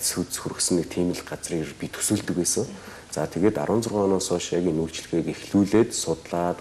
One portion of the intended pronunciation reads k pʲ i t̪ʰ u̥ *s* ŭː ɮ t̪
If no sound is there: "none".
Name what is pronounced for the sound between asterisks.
s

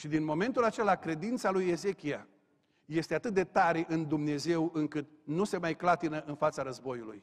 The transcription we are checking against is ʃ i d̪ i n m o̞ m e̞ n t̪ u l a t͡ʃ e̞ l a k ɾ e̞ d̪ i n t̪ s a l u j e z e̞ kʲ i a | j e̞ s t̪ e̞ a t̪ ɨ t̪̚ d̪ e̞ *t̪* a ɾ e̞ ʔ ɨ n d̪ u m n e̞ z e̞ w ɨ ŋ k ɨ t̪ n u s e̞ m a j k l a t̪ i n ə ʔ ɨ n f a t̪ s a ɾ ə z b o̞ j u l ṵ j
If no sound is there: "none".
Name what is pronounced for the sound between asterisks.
t̪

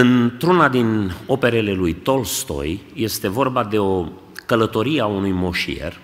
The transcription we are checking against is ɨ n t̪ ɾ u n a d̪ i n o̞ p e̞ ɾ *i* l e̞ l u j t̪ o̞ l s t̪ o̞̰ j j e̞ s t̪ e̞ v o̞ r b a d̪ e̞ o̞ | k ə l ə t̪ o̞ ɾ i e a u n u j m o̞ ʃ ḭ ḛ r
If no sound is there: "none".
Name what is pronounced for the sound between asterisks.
e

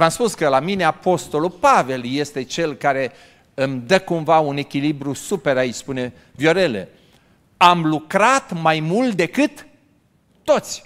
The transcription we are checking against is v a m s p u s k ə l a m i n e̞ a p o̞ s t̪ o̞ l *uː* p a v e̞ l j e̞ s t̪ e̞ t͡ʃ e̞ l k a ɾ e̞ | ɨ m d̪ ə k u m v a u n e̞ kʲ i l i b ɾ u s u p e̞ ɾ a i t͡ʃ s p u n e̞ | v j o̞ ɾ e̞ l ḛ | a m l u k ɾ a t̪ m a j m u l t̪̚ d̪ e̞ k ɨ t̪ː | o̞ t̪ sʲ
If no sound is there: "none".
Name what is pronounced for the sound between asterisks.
u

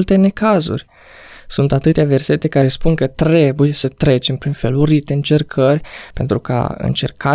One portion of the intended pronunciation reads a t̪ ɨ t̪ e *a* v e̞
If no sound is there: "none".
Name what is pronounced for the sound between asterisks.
a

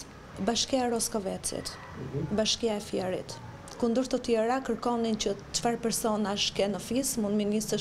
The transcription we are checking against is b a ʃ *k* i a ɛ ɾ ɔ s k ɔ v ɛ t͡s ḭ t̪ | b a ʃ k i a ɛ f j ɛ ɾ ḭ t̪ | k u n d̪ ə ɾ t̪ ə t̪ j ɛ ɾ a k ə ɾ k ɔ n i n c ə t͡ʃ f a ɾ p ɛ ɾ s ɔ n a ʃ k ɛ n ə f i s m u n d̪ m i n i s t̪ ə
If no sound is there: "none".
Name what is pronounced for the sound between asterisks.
k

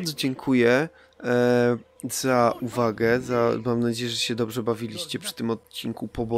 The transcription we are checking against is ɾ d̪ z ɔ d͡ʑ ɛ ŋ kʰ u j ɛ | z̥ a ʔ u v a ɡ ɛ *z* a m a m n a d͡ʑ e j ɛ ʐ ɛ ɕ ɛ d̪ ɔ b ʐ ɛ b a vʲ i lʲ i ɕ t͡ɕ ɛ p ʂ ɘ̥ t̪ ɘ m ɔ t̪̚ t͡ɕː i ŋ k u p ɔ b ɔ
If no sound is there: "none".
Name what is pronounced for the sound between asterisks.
z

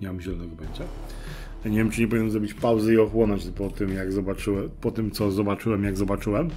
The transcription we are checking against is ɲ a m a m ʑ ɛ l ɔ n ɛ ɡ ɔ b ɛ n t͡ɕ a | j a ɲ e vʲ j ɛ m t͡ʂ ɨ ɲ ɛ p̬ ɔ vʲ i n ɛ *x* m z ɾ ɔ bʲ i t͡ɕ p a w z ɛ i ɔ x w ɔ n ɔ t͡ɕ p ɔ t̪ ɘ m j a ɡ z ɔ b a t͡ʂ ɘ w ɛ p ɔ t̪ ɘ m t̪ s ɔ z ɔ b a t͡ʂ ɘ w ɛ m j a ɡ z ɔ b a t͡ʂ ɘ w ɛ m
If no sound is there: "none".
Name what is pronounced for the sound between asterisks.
none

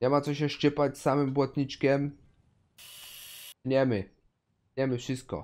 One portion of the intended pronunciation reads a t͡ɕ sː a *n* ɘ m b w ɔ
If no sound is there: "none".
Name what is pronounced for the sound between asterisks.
m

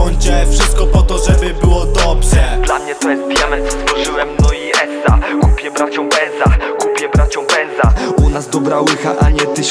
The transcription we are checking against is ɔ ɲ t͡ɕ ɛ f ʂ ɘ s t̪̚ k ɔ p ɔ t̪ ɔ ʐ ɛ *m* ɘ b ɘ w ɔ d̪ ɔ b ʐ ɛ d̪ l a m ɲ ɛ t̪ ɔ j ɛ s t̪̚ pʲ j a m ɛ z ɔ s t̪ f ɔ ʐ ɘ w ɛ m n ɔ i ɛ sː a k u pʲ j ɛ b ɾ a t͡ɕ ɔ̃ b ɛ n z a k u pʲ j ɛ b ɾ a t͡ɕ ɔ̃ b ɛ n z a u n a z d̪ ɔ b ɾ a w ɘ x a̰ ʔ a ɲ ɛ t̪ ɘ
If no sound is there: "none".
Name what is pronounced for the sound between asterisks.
b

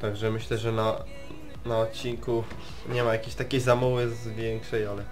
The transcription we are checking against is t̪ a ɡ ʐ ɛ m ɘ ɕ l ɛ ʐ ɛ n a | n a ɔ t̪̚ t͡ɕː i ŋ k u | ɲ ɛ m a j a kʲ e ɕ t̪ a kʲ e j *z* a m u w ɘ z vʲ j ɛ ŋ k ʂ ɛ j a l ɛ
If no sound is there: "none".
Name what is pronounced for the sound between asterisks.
z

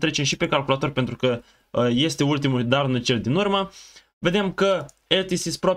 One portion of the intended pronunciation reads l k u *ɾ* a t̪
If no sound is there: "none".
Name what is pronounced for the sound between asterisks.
l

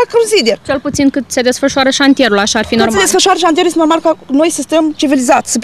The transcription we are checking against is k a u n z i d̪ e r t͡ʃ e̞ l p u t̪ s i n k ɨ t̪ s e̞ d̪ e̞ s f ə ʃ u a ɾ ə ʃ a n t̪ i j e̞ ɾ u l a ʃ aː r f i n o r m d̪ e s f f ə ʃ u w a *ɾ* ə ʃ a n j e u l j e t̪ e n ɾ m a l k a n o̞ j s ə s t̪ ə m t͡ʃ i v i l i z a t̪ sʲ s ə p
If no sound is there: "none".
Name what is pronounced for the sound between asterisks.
ɾ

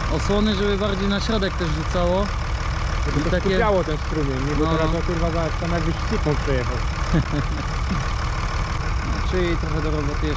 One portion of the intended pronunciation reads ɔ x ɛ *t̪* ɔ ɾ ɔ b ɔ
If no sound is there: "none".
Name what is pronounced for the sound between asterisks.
d̪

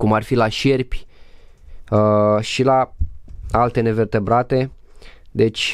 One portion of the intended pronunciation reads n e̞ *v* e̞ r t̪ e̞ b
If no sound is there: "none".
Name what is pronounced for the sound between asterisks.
v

